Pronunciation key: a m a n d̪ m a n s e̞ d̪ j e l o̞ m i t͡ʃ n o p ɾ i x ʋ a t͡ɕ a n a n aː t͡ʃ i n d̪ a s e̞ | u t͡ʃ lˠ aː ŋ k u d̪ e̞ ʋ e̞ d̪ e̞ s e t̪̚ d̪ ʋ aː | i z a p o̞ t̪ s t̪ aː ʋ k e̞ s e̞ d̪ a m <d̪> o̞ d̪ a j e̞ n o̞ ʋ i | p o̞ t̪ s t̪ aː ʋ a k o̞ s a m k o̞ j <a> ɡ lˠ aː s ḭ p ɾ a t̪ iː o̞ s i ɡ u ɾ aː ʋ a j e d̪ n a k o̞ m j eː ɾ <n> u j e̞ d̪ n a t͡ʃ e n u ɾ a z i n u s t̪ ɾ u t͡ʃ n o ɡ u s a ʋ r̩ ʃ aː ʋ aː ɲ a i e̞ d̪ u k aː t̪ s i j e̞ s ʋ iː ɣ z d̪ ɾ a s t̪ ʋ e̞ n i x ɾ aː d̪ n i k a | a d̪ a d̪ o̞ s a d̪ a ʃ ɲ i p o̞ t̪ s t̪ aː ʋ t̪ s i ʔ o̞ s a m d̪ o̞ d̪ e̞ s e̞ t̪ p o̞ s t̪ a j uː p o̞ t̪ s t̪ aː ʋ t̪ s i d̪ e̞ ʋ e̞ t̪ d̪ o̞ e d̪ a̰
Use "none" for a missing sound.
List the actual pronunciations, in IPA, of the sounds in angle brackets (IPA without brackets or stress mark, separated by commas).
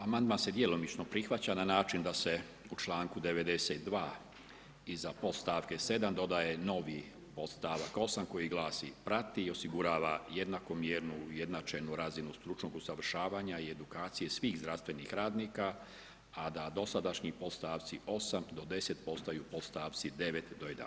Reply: d̪, i, n